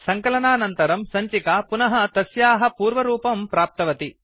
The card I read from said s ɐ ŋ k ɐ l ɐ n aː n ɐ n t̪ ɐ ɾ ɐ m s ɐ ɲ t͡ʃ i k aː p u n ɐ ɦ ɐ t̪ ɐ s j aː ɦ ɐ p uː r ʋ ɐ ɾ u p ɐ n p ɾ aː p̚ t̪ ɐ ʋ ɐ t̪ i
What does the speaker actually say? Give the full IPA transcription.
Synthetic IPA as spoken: s ɐ ŋ k ɐ l ɐ n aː n ɐ n t̪ ɐ ɾ ɐ m s ɐ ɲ t͡ʃ i k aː p u n ɐ ɦ ɐ t̪ ɐ s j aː ɦ ɐ p uː ɾ ʋ ɐ ɾ uː p ɐ m p ɾ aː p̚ t̪ ɐ ʋ ɐ t̪ i